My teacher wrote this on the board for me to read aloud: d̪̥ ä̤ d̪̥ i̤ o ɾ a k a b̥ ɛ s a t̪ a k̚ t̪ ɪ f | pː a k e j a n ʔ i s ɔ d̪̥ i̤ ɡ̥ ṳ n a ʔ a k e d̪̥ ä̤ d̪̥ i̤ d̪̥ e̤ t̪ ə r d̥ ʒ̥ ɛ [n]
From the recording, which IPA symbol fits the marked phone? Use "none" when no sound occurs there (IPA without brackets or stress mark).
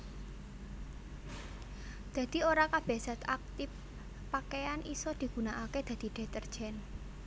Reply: n